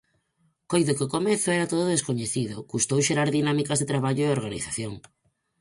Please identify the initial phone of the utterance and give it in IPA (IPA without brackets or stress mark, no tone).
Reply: k